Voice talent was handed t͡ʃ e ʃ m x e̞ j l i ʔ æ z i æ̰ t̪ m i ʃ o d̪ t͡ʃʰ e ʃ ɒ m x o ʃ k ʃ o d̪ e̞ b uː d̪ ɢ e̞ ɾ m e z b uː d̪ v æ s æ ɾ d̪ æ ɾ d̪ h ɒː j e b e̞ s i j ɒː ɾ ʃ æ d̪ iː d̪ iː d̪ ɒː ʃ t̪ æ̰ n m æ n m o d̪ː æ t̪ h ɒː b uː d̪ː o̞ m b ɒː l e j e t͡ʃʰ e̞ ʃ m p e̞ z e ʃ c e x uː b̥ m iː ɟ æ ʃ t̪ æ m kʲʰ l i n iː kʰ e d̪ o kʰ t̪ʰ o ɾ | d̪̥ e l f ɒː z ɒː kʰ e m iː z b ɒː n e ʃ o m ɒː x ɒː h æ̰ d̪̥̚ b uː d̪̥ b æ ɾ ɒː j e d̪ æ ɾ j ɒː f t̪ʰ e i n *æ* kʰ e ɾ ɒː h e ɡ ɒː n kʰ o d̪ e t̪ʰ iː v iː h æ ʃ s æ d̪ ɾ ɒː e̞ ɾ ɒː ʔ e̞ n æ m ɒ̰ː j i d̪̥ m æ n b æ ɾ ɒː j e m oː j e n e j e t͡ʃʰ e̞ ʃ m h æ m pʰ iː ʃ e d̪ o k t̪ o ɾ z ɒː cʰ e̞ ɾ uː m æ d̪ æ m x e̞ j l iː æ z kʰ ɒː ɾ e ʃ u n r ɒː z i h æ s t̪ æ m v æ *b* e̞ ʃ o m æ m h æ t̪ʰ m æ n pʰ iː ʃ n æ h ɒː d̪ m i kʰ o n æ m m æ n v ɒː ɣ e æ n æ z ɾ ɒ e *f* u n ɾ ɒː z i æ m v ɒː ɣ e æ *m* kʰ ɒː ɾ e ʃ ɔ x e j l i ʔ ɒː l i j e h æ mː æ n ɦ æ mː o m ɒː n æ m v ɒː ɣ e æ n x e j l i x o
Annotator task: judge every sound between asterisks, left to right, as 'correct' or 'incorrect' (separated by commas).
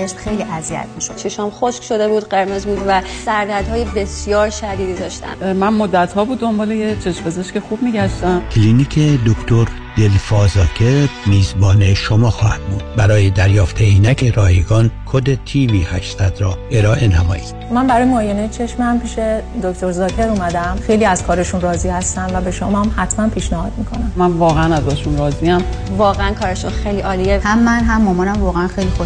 correct, correct, incorrect, incorrect